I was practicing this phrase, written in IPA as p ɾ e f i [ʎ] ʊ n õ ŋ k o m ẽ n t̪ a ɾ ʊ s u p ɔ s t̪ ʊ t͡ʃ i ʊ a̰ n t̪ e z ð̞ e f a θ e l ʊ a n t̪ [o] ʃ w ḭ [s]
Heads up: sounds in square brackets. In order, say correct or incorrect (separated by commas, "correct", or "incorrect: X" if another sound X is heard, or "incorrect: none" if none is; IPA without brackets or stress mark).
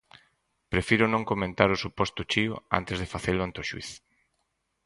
incorrect: ɾ, correct, incorrect: θ